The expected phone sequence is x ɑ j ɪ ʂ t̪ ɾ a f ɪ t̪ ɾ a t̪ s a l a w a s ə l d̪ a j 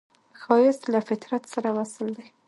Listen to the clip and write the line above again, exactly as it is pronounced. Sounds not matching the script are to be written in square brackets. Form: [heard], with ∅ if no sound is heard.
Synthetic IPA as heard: x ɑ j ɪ [s] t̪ [l] a f ɪ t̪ ɾ a t̪ s a [ɾ] a w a s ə l d̪ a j